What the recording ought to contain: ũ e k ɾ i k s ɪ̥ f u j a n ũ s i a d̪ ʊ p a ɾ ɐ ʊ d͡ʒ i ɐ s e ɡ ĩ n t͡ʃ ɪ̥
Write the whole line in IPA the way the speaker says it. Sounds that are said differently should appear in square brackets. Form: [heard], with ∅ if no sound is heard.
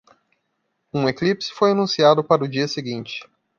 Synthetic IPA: ũ e k [l] i [p] s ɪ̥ f [o] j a n ũ s i a d̪ ʊ p a ɾ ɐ ʊ d͡ʒ i ɐ s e ɡ ĩ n t͡ʃ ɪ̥

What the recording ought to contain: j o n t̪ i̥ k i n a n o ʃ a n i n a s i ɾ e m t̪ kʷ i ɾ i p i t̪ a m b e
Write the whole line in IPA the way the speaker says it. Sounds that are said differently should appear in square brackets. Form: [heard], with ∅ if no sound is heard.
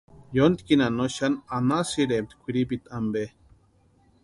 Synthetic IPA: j o n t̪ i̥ k i n a n o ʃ a n [a] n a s i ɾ e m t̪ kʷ i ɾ i p i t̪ a m b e

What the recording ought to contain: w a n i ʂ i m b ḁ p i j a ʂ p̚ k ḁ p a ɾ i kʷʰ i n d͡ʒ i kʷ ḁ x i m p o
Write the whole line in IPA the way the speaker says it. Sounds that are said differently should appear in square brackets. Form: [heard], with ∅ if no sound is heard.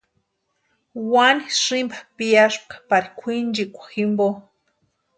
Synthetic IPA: w a n i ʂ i m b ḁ p i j a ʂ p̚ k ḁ p a ɾ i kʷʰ i n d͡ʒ i kʷ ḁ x i m [b] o

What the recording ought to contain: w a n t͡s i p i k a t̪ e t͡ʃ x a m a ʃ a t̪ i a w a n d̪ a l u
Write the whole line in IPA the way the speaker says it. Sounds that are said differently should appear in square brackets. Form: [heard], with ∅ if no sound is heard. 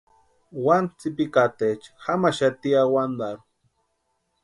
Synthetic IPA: w a n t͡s i p i k a t̪ e t͡ʃ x a m a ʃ a t̪ i a w a n d̪ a [ɾ] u

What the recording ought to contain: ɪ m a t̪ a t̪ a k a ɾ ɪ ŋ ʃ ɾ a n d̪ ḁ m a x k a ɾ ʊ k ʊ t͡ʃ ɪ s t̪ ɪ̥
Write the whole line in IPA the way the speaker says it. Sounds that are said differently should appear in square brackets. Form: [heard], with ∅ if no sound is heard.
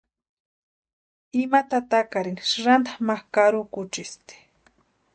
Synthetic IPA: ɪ m a t̪ a t̪ a k a ɾ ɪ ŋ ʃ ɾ a n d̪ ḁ m a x k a ɾ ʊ k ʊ t͡ʃ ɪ s t̪ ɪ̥

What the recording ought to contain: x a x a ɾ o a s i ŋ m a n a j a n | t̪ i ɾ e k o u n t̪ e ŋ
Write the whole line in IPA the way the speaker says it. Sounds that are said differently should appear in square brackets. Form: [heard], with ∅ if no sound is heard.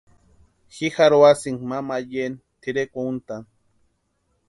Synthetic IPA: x [i] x a ɾ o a s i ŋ m a [m] a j [e] n | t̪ i ɾ e k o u n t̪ [a] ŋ

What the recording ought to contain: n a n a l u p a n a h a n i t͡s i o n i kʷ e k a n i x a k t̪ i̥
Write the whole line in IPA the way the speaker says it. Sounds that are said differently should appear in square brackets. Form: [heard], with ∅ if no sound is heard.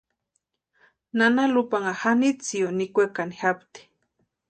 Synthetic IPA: n a n a l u p a [ŋ] a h a n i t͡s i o n i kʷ e k a n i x a [p] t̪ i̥

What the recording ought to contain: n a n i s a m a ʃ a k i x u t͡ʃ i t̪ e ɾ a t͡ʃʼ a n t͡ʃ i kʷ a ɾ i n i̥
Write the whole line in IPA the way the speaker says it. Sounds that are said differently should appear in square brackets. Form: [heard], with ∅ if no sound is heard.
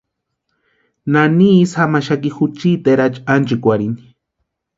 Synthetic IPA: n a n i s a m a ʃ a k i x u t͡ʃ i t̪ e ɾ a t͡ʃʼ a n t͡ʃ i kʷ a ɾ i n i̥

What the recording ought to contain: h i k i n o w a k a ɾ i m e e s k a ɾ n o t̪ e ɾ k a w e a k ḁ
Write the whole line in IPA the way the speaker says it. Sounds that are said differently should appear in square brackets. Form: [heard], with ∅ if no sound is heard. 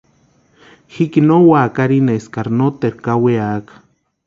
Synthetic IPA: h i k i n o w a k a ɾ i [n] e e s k a ɾ n o t̪ e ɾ k a w e a k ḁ

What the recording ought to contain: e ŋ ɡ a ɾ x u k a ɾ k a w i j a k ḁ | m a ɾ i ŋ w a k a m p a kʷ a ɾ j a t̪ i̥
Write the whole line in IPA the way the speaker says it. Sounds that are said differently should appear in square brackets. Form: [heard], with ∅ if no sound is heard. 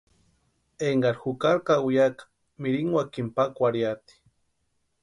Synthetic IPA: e ŋ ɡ a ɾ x u k a ɾ k a w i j a k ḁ | m [i] ɾ i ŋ w a k [i] m p a kʷ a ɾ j a t̪ i̥

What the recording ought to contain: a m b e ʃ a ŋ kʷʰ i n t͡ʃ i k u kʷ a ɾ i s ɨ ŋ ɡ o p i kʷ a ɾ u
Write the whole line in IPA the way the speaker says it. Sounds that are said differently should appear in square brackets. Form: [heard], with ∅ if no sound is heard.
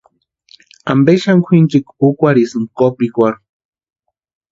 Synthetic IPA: a m b e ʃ a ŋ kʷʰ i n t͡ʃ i k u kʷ a ɾ i s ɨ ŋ [k] o p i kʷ a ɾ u

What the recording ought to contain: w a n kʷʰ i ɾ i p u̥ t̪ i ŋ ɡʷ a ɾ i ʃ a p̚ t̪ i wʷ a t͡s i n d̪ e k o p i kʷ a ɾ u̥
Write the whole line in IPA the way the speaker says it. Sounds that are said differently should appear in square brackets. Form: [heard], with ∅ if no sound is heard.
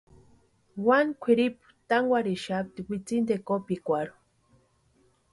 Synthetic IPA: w a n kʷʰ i ɾ i p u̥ t̪ [a] ŋ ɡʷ a ɾ i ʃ a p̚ t̪ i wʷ [i] t͡s i n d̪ e k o p i kʷ a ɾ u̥

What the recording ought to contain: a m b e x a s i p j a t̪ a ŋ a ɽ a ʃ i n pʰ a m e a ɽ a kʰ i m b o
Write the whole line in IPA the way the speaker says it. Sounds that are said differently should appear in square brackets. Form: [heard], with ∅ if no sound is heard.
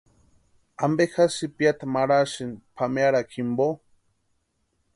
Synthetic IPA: a m b e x a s i p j a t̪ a [m] a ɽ a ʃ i n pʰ a m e a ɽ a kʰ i m b o

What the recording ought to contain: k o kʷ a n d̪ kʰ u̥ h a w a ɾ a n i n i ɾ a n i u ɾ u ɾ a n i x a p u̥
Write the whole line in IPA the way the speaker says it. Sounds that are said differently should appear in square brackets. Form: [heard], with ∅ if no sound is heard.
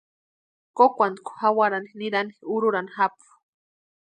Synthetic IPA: k o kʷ a n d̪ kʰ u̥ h a w a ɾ a n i n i ɾ a n i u ɾ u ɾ a n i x a p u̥

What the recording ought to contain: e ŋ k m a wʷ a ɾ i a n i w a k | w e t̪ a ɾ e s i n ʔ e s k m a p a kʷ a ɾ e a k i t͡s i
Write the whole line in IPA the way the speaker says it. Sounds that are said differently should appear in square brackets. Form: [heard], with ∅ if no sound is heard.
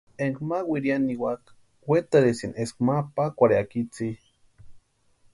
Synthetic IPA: e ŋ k m a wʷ [i] ɾ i a n i w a k | w e t̪ a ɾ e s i n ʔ e s k m a p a kʷ a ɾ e a k i t͡s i

